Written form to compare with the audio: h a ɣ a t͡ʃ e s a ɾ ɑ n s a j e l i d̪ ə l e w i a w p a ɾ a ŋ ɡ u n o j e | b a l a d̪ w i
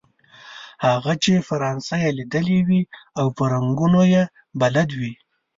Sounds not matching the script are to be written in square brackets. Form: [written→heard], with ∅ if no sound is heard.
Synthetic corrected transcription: h a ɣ a t͡ʃ e [s→f] a ɾ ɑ n s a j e l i d̪ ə l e w i a w p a ɾ a ŋ ɡ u n o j e | b a l a d̪ w i